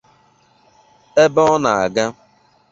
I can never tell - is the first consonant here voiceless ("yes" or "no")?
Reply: no